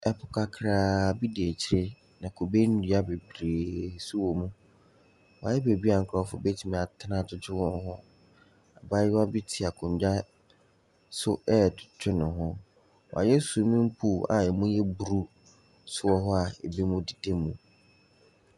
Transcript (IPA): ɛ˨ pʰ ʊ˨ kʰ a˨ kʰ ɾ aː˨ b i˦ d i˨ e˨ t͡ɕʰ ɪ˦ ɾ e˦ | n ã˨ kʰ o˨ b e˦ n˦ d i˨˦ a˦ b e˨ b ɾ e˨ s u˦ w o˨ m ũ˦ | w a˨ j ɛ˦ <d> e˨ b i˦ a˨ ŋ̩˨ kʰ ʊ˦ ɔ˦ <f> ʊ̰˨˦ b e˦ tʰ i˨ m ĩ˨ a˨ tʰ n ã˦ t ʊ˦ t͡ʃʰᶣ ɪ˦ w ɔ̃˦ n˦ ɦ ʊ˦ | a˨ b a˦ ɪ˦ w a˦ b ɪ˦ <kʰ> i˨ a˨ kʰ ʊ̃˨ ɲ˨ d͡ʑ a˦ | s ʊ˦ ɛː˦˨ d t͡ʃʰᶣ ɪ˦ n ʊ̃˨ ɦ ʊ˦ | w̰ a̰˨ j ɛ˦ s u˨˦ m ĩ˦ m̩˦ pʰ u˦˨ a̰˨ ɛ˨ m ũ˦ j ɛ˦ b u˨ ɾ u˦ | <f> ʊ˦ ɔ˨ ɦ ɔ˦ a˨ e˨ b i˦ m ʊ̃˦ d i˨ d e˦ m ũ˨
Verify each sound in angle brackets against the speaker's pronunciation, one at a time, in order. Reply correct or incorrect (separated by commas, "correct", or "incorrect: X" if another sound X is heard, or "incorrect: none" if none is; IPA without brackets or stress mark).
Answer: incorrect: b, correct, incorrect: tʰ, incorrect: s